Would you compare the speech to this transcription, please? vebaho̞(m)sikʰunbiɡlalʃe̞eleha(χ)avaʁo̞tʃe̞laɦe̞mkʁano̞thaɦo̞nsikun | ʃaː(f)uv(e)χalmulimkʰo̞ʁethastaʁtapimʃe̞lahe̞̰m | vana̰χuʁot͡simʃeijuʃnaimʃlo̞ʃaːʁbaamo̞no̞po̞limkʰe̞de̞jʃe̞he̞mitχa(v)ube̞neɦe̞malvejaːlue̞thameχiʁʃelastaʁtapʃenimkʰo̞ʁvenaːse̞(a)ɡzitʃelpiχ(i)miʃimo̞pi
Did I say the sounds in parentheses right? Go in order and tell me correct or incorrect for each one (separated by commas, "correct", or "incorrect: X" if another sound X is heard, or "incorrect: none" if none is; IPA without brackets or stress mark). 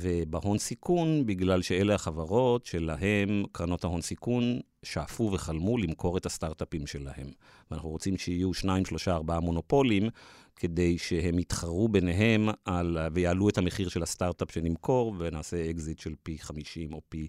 incorrect: n, correct, correct, correct, incorrect: ʁ, incorrect: e, incorrect: a